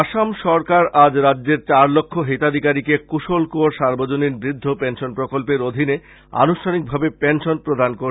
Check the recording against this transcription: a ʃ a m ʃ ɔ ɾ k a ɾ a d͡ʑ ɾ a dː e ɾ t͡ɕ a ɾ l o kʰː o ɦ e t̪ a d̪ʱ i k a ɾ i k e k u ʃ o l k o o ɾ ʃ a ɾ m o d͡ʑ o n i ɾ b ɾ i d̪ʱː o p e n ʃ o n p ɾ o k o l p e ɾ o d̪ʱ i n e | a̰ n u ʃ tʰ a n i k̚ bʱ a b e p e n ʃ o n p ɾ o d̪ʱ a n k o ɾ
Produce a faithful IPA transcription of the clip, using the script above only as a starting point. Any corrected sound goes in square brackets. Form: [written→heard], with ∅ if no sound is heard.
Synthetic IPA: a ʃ a m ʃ ɔ ɾ k a ɾ a d͡ʑ ɾ a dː e ɾ t͡ɕ a ɾ l o kʰː o ɦ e t̪ a d̪ʱ i k a ɾ i k e k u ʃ o l k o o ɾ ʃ a ɾ [m→b] o d͡ʑ o n i ɾ b ɾ i d̪ʱː o p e n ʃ o n p ɾ o k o l p e ɾ o d̪ʱ i n e | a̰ n u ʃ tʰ a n i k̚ bʱ a b e p e n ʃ o n p ɾ o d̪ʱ a n k o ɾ